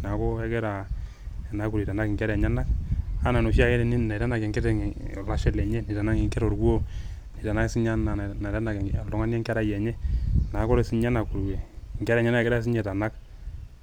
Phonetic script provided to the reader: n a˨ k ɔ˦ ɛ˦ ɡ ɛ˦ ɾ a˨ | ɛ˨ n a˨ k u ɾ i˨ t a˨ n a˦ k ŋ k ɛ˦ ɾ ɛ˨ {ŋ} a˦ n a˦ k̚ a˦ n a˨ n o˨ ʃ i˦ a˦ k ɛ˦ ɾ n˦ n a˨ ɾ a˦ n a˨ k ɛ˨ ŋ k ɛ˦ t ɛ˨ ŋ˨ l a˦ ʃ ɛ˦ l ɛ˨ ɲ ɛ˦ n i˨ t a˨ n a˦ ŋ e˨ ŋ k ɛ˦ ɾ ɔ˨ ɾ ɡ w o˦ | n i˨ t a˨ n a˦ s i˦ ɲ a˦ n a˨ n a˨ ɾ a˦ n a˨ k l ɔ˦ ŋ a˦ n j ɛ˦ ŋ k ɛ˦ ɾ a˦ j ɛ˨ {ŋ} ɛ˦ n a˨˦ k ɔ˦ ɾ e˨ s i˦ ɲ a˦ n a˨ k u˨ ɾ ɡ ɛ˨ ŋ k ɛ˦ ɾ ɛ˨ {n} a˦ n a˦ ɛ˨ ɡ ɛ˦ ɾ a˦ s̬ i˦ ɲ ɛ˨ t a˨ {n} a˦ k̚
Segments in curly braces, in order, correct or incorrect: incorrect: ɲ, incorrect: ɲ, incorrect: ɲ, correct

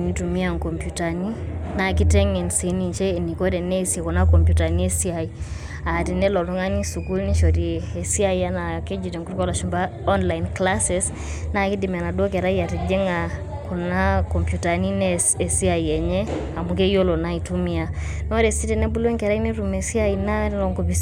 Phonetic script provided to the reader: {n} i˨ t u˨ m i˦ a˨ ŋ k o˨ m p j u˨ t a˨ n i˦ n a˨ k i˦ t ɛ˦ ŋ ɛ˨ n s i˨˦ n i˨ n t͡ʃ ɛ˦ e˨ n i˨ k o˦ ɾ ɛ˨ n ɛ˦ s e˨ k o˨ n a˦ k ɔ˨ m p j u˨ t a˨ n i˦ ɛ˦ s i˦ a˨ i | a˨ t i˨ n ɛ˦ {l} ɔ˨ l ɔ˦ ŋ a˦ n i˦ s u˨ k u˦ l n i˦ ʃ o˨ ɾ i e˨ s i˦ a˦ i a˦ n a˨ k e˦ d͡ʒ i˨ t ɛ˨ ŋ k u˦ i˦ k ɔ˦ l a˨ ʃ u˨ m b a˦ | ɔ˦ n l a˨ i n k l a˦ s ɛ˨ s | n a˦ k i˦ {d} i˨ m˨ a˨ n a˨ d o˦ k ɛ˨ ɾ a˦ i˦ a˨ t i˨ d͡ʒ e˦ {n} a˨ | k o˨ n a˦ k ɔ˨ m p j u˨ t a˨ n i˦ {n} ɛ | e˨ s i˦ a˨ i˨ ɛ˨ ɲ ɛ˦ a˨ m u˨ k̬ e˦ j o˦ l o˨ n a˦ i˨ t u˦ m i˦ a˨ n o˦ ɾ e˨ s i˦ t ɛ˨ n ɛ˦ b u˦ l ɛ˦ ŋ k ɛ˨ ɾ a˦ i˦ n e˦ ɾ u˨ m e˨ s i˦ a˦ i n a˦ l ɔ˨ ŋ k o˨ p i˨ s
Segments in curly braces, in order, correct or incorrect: correct, correct, correct, incorrect: ŋ, correct

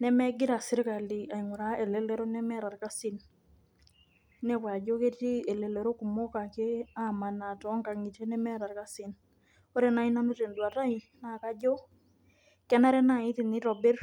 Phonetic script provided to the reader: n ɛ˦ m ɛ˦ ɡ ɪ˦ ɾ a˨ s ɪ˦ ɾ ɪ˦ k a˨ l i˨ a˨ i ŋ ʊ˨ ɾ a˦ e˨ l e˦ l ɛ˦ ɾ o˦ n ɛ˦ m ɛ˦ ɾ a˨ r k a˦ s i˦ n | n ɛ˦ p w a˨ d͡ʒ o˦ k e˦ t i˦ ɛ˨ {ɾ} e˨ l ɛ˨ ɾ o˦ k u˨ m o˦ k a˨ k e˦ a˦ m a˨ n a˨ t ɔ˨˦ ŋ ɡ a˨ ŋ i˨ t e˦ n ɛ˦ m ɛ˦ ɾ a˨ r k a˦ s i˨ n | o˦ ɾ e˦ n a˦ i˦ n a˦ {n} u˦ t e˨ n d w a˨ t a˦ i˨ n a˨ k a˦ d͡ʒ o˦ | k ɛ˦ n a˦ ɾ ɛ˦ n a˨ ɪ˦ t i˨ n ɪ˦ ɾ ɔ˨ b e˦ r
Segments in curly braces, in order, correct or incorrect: incorrect: l, correct

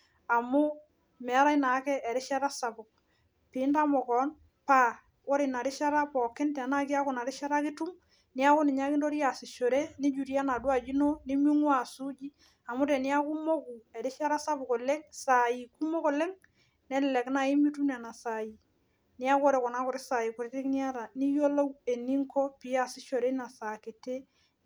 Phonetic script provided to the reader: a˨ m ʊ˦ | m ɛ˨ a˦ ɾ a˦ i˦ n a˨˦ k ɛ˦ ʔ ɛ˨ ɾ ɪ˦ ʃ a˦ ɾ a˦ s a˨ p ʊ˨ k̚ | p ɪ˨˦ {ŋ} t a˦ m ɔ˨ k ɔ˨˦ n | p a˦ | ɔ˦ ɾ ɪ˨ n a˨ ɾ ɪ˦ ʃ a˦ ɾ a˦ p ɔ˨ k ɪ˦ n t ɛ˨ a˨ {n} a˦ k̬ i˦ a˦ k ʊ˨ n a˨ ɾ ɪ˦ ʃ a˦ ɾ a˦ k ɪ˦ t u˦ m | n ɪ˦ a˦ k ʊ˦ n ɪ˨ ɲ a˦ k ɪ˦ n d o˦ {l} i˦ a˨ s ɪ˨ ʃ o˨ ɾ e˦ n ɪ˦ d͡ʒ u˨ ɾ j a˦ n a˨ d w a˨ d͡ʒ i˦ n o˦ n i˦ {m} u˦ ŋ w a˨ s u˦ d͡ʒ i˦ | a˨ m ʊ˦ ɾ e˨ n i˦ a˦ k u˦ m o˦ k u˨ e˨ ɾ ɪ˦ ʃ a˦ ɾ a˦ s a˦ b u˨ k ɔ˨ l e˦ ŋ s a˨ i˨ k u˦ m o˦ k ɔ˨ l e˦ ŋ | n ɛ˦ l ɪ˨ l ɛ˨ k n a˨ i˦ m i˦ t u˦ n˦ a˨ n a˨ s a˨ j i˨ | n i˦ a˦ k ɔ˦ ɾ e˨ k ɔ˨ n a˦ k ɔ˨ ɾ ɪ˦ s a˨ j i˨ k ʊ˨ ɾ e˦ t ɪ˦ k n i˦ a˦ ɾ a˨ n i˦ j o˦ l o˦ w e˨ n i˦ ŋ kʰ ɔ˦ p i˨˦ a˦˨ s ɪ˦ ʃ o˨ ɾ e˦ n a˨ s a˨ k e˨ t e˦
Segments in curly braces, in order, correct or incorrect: incorrect: n, correct, incorrect: ɾ, correct

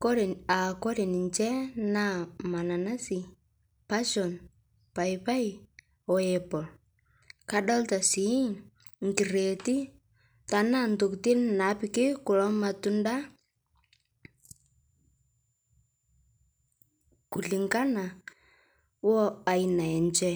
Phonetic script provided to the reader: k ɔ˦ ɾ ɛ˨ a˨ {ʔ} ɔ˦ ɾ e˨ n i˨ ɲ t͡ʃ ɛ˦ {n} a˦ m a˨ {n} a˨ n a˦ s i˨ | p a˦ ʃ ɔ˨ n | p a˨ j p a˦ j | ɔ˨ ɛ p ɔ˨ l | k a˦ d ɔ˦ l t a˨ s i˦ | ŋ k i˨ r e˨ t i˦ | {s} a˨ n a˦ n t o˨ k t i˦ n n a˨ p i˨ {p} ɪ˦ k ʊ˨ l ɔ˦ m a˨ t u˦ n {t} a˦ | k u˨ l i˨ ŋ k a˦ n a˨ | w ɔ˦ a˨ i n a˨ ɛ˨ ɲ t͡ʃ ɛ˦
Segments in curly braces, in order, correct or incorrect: incorrect: k, correct, correct, incorrect: t, incorrect: k, incorrect: d

